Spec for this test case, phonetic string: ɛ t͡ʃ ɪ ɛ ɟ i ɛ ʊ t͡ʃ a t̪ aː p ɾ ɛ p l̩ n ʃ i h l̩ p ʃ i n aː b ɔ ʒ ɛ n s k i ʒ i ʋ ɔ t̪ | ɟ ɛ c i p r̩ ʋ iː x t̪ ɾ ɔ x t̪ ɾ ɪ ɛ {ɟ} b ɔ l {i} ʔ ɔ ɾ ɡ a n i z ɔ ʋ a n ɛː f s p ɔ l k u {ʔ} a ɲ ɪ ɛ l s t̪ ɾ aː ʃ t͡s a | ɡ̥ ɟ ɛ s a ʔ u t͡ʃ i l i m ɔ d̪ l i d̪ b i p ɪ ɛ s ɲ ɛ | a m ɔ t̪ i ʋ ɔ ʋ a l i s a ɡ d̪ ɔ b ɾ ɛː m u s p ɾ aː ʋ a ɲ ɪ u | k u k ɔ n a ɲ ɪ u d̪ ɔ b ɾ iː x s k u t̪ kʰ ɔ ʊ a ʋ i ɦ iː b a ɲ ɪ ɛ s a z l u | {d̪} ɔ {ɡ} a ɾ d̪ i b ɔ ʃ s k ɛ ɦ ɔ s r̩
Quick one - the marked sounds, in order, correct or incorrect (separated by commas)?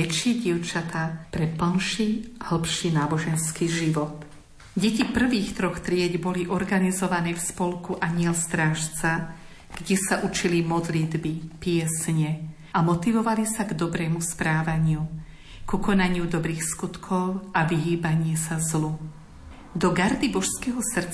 correct, correct, correct, correct, correct